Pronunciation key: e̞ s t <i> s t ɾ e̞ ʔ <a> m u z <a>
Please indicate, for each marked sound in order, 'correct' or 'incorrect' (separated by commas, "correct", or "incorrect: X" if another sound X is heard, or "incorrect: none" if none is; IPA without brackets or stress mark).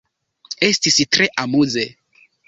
correct, correct, incorrect: e